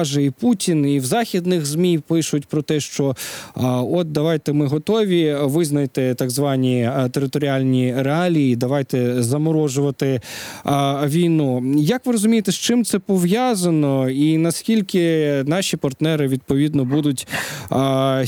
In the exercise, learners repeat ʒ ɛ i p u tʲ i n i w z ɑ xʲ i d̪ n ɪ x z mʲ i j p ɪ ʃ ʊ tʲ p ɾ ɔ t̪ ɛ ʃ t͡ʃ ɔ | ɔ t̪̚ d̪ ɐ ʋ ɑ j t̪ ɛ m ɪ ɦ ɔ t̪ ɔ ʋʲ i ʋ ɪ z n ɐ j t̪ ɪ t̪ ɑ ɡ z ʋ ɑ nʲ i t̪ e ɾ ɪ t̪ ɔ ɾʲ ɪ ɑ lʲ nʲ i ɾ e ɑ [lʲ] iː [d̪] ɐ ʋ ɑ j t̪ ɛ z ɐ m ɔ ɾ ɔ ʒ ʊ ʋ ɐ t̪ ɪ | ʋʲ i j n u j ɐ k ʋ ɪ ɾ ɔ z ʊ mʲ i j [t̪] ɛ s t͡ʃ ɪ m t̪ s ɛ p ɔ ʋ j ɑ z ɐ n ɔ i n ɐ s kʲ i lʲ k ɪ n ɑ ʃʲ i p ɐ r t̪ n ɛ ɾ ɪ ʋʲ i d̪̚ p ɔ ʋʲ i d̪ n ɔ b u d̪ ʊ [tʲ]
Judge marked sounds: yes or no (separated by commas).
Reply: yes, yes, yes, yes